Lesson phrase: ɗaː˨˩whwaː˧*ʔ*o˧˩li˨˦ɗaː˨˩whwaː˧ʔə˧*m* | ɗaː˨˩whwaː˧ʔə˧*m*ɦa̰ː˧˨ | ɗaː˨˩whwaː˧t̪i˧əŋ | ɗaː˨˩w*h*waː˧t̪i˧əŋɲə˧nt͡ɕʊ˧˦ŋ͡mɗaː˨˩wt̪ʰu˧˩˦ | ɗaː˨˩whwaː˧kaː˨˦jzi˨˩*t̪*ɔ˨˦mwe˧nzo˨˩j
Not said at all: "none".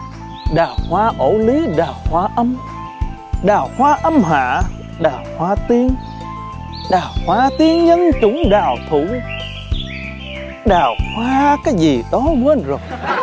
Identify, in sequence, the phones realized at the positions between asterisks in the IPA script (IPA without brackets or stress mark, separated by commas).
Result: ʔ, m, m, h, t̪